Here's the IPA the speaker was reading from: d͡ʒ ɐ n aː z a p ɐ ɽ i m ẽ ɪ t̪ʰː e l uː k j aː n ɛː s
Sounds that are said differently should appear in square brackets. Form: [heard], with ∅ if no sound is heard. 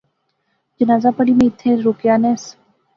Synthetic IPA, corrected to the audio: d͡ʒ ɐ n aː z a p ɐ ɽ i m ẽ ɪ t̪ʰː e [ɾ] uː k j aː n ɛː s